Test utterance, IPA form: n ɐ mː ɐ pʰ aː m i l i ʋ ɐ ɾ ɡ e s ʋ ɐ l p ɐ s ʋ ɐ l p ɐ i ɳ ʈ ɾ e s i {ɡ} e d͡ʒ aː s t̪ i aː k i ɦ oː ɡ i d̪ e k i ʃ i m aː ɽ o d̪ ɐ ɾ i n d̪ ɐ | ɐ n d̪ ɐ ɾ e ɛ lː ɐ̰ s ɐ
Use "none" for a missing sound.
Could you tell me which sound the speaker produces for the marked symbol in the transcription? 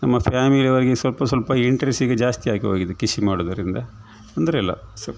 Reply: ɡ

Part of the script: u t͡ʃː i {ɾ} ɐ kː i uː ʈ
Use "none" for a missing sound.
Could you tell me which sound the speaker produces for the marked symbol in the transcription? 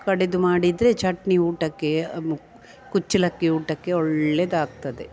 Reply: l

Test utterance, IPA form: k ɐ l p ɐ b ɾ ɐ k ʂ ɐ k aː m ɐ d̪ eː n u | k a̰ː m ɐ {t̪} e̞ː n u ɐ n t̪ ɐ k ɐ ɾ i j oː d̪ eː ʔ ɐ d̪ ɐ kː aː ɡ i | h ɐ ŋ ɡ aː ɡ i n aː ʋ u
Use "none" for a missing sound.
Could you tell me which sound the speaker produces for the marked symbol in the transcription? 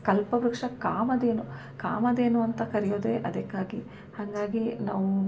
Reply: d̪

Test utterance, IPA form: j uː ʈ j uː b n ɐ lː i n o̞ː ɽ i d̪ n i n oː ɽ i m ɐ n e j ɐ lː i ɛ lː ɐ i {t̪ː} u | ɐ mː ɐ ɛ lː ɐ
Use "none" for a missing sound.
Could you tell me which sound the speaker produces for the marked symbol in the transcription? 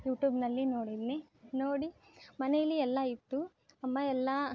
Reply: t̪ː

